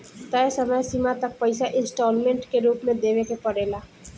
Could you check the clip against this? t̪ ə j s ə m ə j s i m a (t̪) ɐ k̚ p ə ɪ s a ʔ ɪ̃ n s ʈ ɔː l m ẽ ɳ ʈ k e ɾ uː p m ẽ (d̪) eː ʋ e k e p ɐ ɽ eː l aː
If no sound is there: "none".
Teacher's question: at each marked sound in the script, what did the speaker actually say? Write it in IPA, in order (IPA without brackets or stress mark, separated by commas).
t̪, d̪